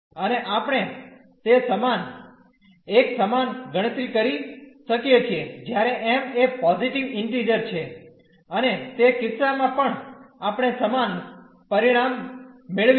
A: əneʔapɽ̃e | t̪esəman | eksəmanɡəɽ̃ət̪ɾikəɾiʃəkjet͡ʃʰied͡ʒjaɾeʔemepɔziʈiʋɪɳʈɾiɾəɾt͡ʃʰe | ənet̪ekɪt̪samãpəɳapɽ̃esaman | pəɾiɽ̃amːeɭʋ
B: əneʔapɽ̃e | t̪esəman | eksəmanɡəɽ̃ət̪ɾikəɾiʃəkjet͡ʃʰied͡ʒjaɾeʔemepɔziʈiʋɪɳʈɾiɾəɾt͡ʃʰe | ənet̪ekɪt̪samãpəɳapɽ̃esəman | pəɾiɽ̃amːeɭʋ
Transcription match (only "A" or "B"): B